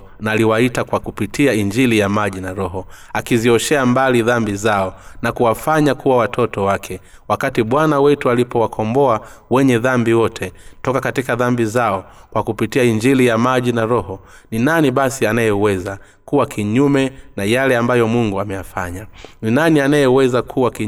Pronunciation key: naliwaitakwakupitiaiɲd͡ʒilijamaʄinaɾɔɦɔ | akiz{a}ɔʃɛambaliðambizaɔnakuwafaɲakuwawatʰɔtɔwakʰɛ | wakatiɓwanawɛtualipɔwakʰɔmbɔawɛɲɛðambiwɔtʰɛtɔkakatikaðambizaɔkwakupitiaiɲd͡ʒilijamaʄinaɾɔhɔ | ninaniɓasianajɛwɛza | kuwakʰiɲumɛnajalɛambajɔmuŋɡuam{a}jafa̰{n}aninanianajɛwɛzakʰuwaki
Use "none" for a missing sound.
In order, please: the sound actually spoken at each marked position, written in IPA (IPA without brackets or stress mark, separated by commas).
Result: i, ɛ, ɲ